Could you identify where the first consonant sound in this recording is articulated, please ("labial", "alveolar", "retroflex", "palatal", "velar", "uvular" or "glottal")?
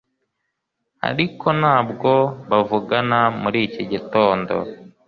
alveolar